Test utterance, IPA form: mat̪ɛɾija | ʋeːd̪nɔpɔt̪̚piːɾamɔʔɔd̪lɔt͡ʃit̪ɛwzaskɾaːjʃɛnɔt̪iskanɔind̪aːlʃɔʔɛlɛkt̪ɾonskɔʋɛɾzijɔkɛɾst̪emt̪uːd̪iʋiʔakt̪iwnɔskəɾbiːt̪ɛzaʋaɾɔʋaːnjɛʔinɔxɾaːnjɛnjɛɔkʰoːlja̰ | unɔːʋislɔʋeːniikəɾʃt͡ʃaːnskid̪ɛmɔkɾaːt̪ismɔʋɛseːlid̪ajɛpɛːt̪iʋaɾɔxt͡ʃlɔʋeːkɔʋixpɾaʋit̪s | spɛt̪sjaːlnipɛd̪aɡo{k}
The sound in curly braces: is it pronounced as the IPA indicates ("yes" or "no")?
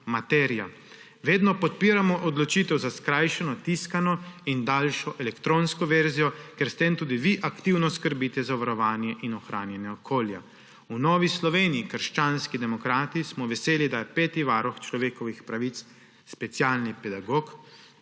yes